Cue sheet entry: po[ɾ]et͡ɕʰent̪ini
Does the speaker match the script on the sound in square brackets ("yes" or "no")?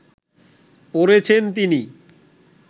yes